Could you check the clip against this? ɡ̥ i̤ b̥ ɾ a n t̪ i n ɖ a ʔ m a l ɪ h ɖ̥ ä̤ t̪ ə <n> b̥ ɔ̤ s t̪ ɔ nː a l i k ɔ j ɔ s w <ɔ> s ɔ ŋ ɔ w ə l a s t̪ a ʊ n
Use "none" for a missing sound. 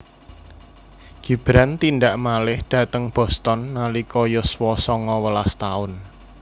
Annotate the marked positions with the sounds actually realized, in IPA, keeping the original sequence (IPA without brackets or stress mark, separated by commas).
ŋ, ɔ